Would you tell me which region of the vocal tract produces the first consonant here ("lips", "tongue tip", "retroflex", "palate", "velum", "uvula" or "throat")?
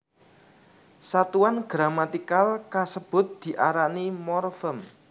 tongue tip